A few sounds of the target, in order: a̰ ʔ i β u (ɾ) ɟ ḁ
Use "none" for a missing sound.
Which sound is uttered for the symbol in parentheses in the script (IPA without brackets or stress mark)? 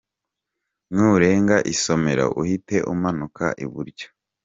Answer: ɾ